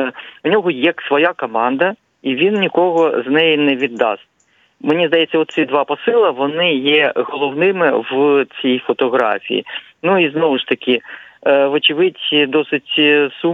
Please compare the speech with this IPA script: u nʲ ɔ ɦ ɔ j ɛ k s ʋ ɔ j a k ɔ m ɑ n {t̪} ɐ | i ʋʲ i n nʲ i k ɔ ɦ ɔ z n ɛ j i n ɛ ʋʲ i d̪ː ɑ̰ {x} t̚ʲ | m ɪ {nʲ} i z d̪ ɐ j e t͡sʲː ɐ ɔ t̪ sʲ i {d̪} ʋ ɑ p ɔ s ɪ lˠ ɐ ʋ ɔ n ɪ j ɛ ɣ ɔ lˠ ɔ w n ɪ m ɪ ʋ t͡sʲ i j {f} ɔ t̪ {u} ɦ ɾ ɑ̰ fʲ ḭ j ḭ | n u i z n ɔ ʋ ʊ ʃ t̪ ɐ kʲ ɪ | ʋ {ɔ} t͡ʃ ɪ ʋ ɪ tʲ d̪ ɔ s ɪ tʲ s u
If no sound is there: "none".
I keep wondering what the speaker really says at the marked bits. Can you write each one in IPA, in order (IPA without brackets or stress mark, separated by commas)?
d̪, s, nʲ, d̪, f, ɔ, ɔ